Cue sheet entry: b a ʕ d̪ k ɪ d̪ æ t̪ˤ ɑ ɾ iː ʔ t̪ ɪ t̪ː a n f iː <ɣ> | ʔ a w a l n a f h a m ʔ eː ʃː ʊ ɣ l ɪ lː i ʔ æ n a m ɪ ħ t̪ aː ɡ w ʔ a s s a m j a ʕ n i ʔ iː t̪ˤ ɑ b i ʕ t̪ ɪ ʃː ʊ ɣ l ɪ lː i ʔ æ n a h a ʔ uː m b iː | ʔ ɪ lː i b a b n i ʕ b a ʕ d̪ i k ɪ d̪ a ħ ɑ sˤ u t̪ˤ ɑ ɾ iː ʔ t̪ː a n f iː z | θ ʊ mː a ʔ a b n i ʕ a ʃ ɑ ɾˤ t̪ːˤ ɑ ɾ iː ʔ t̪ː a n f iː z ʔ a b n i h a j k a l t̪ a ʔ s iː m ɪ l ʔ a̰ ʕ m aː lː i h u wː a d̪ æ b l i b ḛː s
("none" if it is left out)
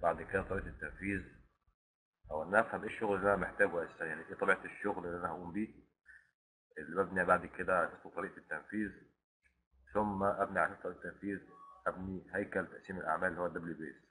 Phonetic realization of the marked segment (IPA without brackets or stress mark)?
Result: z